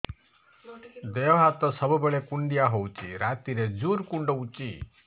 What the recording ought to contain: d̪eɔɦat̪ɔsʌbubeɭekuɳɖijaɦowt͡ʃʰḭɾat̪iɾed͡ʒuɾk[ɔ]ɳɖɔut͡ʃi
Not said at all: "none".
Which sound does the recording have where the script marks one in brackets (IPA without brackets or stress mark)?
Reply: u